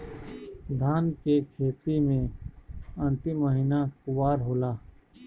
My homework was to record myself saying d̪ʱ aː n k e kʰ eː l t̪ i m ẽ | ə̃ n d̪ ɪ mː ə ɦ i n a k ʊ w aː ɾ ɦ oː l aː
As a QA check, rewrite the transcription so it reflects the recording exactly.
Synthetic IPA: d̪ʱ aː n k e kʰ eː t̪ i m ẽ | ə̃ n t̪ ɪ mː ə ɦ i n a k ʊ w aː ɾ ɦ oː l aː